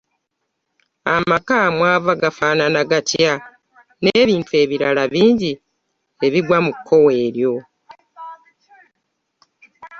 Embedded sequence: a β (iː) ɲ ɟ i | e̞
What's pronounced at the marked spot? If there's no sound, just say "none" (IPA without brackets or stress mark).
iː